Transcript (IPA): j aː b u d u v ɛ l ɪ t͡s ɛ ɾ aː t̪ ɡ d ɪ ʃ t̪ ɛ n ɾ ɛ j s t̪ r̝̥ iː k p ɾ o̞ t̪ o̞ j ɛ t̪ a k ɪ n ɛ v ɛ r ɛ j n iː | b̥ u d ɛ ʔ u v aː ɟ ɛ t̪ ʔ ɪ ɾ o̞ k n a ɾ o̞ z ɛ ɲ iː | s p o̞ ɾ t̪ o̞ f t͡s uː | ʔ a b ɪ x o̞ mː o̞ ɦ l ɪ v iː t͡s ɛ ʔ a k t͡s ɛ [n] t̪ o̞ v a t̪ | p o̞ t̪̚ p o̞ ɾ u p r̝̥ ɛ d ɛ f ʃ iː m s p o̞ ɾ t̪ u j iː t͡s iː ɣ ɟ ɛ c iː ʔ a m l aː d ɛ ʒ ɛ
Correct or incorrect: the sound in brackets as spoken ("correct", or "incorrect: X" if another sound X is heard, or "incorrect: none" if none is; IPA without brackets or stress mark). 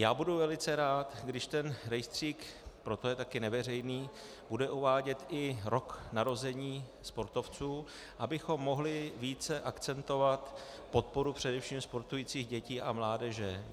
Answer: correct